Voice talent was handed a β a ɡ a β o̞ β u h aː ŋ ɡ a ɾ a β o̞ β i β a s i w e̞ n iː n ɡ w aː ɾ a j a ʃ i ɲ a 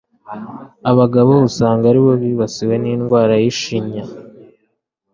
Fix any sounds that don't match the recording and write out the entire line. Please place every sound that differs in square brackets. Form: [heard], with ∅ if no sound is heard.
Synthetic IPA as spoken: a β a ɡ a β o̞ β u [s] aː ŋ ɡ a ɾ [i] β o̞ β i β a s i w e̞ n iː n ɡ w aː ɾ a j [i] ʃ i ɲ a

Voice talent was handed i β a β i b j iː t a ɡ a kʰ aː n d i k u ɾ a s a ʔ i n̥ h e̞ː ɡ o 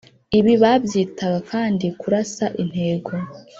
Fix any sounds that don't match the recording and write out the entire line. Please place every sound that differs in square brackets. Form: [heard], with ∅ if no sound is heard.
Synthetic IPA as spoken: i β [i] β [a] b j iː t a ɡ a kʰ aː n d i k u ɾ a s a ʔ i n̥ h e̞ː ɡ o

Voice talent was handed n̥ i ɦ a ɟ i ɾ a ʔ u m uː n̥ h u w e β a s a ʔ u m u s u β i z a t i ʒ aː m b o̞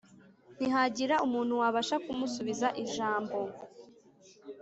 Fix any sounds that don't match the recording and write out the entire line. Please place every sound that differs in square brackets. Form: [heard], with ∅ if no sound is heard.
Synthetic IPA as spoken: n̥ i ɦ a ɟ i ɾ a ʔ u m uː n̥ h u w [a] β a [ʃ] a [k] u m u s u β i z a [ʔ] i ʒ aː m b o̞

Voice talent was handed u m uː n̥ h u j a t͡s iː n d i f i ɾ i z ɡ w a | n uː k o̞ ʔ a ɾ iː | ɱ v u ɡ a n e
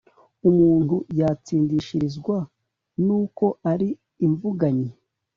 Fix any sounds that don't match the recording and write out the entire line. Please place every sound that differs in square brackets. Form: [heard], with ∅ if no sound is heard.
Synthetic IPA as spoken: u m uː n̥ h u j a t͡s iː n d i [ʃ] i ɾ i z ɡ w a | n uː k o̞ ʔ a ɾ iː | ɱ v u ɡ a [ɲ] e

